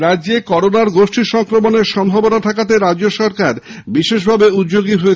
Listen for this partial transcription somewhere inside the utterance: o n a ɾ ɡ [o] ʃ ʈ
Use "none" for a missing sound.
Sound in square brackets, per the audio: o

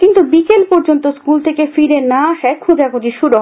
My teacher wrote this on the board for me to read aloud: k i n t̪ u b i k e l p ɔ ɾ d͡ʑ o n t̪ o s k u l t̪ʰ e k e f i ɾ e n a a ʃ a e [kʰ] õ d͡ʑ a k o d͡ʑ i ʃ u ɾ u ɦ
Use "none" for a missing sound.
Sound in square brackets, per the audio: kʰ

